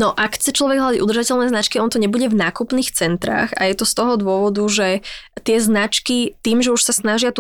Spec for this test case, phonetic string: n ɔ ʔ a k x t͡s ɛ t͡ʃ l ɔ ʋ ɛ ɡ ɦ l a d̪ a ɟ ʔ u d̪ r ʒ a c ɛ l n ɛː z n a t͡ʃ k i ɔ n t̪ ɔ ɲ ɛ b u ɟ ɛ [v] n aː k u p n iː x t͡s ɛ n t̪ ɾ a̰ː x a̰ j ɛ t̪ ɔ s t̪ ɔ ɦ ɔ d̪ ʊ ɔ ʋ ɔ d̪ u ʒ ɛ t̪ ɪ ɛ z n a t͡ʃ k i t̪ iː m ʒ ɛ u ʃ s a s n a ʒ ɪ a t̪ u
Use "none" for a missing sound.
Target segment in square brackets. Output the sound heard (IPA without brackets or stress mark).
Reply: v